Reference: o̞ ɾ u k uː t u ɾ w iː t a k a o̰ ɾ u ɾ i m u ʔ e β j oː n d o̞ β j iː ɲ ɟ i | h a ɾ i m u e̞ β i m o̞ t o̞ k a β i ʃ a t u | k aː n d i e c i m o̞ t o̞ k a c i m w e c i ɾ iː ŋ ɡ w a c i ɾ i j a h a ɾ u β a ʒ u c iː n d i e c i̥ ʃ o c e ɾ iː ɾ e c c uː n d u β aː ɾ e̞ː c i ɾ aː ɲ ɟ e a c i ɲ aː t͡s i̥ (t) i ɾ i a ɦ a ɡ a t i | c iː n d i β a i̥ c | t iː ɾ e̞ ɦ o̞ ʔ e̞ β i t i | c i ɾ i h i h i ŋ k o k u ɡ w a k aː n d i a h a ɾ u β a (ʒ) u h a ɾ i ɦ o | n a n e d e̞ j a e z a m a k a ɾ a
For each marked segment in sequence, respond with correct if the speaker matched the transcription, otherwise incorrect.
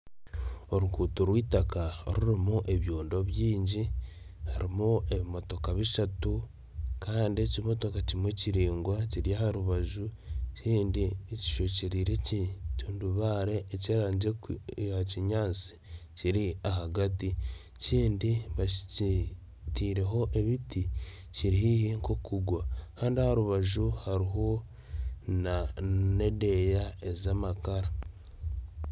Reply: incorrect: c, correct

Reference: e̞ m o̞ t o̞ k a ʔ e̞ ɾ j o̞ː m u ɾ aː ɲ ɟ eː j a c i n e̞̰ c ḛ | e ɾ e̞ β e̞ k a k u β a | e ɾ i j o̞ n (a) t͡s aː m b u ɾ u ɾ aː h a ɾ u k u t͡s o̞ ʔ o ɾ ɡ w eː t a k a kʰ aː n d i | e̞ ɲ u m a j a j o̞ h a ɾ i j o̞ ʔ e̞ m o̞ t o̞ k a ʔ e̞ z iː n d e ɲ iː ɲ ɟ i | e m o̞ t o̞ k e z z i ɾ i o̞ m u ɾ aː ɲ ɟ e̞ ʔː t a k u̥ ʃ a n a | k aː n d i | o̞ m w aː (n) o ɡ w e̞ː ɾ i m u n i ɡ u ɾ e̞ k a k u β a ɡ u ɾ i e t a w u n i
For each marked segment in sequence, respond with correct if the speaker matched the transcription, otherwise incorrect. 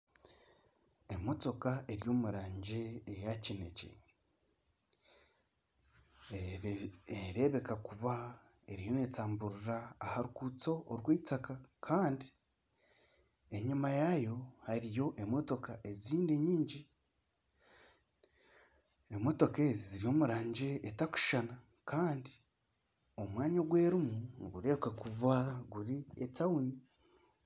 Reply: incorrect: e, incorrect: ɲ

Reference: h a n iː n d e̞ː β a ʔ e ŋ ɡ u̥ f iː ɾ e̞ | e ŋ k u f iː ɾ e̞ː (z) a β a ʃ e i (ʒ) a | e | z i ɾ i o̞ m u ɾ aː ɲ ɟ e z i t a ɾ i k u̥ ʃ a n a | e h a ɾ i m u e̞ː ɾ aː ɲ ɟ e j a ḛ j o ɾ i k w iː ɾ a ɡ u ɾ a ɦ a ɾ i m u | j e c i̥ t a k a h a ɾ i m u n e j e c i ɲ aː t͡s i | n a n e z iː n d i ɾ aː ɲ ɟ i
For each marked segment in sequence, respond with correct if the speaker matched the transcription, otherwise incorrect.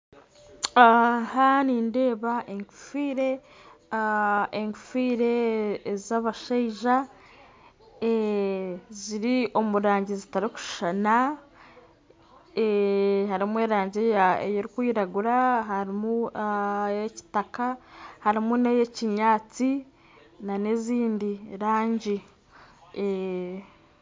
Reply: correct, correct

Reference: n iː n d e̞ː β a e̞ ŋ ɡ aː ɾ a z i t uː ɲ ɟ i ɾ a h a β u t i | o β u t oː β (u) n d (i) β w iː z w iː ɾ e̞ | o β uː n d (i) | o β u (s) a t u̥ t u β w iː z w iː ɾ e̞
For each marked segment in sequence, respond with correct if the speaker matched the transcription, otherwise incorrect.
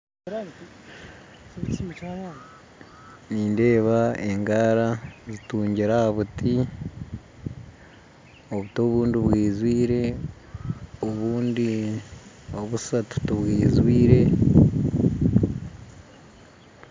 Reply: incorrect: uː, correct, correct, correct

